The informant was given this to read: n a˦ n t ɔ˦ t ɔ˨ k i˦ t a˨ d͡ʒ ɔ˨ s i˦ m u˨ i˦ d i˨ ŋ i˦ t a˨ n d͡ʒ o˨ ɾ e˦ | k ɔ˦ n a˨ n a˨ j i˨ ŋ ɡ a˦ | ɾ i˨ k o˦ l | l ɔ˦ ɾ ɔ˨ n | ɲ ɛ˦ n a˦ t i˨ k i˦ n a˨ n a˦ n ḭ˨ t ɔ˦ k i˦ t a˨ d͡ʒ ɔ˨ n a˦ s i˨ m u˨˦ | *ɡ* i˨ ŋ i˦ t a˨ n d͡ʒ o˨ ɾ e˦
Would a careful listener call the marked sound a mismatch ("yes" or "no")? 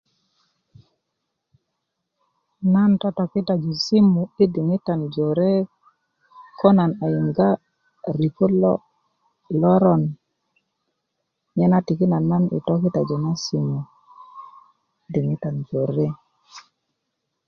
yes